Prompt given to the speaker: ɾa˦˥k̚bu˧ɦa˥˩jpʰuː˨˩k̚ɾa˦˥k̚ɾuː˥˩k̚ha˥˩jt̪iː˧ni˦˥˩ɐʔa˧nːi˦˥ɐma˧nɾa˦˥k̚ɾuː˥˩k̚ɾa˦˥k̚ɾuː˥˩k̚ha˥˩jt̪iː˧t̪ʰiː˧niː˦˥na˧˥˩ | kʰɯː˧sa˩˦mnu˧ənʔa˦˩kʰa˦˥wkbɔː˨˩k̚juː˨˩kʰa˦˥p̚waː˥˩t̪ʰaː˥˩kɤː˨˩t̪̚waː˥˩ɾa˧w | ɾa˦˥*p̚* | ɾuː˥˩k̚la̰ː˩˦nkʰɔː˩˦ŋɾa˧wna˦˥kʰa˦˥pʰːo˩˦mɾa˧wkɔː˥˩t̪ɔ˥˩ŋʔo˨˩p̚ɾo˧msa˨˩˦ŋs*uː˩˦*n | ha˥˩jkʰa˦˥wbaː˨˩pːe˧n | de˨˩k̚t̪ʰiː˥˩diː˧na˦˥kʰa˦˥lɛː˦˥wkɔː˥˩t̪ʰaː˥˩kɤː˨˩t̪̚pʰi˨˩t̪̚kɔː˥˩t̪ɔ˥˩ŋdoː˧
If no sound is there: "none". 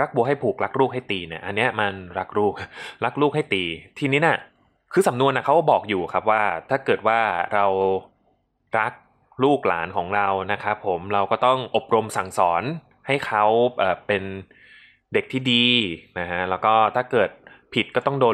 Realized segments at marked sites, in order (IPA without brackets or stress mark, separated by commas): k̚, ɔː˩˦